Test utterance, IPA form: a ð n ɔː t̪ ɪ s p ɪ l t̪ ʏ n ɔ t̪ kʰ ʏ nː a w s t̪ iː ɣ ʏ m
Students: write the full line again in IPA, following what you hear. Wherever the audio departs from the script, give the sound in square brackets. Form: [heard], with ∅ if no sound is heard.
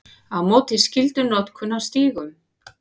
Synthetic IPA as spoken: a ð [m] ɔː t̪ ɪ s [c] ɪ l t̪ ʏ n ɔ t̪ kʰ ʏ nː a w s t̪ iː ɣ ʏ m